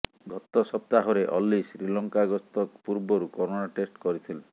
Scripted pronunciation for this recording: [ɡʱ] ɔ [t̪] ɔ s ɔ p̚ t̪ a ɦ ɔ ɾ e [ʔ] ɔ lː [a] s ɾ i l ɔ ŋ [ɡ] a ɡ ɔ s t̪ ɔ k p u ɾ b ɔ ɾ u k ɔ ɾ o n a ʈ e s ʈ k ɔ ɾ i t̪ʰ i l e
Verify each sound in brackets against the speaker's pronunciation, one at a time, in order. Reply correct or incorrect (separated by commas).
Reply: correct, correct, correct, incorrect, incorrect